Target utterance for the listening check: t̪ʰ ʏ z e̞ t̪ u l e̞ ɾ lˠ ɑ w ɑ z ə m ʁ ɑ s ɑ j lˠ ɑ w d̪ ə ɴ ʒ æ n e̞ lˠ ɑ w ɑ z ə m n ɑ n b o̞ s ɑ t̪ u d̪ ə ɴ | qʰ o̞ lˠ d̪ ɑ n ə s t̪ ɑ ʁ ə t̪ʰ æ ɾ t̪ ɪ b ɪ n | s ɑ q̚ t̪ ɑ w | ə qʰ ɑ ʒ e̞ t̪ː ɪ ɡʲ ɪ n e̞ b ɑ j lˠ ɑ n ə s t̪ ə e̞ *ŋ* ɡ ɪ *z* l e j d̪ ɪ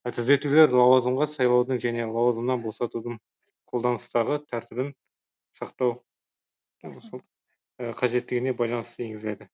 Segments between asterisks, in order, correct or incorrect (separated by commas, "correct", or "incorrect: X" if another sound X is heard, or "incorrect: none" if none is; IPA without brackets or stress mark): correct, correct